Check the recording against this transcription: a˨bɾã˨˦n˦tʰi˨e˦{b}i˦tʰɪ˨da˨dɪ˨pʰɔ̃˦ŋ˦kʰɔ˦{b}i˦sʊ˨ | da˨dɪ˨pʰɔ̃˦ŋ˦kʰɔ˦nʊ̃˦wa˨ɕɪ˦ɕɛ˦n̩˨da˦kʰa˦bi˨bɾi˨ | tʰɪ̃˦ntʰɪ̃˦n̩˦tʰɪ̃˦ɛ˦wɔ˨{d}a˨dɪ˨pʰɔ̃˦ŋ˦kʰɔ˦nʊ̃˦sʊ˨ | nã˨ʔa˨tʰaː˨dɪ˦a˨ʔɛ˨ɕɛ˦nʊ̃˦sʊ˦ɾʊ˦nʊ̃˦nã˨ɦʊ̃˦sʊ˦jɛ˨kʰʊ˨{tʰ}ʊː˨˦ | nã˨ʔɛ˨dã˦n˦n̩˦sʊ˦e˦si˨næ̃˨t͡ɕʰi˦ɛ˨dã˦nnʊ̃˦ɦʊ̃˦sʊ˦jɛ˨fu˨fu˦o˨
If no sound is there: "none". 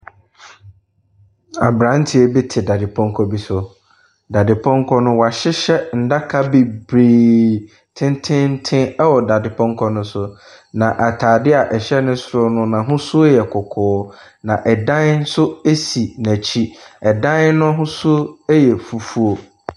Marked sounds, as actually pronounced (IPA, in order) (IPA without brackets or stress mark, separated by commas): b, b, d, kʰ